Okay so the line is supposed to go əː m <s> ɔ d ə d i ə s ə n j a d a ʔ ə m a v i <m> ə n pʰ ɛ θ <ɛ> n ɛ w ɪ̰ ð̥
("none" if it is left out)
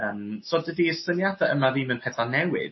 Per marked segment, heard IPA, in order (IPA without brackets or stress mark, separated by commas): s, m, a